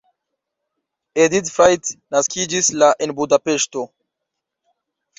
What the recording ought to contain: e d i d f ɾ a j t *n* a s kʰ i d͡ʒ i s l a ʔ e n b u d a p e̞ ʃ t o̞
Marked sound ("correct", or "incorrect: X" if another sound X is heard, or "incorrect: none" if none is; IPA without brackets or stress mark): correct